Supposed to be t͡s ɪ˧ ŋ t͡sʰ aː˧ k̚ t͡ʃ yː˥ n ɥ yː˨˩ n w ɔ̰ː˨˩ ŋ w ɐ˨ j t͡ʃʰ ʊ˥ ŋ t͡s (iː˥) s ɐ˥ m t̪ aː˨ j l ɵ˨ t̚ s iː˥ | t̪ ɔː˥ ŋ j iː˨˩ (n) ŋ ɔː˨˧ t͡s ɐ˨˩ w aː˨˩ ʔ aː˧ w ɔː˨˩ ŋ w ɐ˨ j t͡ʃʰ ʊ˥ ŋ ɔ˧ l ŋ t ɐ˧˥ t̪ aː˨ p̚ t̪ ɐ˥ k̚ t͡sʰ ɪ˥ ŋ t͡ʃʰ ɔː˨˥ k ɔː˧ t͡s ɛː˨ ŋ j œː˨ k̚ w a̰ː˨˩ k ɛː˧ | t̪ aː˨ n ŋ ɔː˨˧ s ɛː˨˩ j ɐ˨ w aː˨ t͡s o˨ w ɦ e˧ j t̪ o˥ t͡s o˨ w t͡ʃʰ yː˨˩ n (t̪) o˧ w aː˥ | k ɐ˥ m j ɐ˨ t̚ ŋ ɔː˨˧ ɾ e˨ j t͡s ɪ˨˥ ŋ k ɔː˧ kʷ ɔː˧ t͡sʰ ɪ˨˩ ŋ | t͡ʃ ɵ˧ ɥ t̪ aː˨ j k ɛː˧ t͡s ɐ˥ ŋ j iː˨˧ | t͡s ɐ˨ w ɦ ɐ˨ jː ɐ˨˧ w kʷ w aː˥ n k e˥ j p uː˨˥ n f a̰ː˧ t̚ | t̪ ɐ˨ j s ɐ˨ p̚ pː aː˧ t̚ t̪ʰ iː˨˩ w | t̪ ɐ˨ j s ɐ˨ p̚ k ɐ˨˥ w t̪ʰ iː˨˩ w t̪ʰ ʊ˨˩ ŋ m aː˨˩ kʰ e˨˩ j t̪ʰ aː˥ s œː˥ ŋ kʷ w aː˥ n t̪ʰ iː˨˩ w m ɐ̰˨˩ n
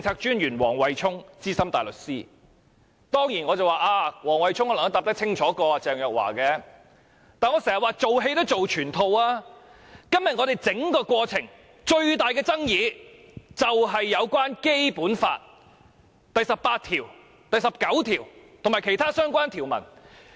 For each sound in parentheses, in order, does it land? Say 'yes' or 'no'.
yes, yes, no

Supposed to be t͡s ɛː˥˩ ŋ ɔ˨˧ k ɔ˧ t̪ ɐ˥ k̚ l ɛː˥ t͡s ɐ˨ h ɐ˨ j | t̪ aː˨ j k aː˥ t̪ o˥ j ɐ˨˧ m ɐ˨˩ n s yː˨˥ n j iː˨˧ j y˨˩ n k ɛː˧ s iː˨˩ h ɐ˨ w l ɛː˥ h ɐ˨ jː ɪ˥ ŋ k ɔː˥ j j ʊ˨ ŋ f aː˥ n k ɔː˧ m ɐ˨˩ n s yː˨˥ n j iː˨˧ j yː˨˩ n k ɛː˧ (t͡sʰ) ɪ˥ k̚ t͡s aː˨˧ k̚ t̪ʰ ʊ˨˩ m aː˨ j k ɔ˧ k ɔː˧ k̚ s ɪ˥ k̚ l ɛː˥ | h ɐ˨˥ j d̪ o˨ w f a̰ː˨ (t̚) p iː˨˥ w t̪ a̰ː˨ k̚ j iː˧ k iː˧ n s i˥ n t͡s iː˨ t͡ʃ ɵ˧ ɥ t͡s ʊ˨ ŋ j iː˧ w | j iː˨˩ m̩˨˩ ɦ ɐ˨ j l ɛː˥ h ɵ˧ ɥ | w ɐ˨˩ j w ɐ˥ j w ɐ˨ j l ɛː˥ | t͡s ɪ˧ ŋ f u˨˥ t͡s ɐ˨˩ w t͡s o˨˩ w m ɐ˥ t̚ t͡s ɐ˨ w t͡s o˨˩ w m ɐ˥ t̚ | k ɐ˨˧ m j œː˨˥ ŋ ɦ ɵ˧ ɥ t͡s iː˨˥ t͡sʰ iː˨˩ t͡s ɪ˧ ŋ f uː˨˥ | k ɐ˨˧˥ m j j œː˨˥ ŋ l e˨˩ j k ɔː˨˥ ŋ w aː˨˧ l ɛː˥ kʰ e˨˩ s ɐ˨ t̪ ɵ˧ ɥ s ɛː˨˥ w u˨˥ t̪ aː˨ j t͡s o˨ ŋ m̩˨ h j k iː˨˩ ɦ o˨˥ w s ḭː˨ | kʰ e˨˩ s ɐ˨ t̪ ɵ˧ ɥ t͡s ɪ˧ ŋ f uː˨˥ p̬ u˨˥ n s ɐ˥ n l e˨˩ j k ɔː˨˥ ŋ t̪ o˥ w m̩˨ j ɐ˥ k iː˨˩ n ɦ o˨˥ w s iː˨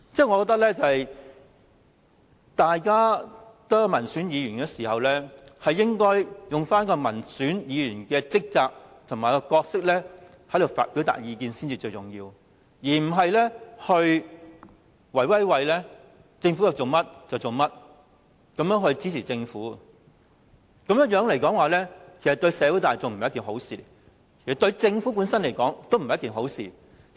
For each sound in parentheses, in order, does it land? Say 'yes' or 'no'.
no, yes

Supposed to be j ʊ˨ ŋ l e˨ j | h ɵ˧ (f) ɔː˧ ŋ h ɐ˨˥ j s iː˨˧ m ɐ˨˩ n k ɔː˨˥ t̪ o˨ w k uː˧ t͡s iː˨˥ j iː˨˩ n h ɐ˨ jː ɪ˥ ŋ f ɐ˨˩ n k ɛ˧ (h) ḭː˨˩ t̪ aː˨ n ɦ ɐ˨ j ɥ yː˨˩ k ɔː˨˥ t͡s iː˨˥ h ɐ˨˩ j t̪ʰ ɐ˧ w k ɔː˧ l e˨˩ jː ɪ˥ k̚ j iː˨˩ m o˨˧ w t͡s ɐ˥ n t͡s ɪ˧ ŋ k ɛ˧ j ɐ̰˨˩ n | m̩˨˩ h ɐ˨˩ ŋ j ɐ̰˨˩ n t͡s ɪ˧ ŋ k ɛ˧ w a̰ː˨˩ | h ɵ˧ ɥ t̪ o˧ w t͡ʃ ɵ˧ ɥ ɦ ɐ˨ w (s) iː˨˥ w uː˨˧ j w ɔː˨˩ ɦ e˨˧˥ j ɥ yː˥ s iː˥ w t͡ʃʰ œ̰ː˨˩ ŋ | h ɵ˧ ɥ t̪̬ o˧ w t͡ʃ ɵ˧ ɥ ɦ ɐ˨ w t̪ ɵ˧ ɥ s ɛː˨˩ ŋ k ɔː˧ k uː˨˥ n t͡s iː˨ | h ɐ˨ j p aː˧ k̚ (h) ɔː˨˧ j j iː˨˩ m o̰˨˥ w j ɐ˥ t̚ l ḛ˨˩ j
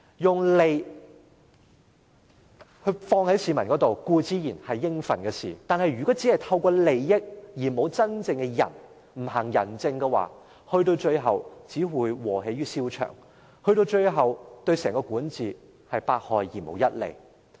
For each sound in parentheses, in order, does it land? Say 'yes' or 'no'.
yes, no, no, yes

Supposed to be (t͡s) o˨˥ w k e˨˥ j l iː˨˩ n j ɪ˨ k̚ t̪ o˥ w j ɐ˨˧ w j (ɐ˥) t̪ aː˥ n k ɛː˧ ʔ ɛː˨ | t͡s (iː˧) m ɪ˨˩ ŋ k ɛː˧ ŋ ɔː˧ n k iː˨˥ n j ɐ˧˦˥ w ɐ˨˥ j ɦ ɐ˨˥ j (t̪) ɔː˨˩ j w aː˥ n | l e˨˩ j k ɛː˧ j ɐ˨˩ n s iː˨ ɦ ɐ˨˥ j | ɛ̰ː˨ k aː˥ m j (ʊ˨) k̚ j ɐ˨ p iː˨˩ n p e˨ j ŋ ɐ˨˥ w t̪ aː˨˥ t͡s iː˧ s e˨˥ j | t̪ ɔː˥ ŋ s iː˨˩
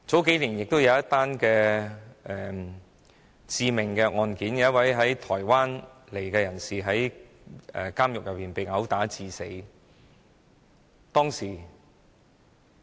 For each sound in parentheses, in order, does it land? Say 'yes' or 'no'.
yes, yes, yes, no, yes

